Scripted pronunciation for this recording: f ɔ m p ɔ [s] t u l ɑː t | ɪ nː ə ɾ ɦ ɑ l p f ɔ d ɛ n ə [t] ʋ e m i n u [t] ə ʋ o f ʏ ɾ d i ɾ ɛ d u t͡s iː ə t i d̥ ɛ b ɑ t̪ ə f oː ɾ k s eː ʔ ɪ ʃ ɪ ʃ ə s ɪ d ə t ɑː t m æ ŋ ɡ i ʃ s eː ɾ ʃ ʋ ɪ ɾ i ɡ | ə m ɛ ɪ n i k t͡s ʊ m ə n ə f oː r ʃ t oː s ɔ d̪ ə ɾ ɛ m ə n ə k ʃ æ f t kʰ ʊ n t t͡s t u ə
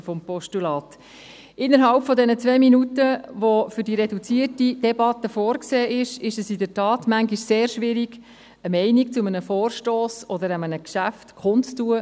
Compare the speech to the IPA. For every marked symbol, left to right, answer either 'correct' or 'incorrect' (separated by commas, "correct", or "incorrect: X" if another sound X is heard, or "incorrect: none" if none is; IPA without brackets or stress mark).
incorrect: ʃ, incorrect: t͡s, correct